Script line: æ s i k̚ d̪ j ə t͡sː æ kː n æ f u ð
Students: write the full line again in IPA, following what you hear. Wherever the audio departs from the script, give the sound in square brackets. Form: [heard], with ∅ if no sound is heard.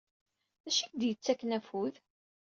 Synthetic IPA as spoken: æ [ʃ] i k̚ d̪ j ə t͡sː æ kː n æ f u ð